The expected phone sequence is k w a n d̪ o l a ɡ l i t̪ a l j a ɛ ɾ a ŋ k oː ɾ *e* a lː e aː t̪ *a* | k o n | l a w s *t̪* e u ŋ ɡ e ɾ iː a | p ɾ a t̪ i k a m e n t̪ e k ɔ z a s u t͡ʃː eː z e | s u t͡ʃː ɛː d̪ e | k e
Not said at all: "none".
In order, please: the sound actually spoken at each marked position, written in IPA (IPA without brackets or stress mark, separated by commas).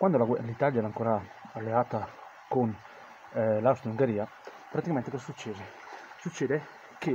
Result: a, a, t̪